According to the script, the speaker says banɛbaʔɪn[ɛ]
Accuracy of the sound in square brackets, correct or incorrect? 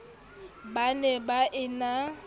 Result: incorrect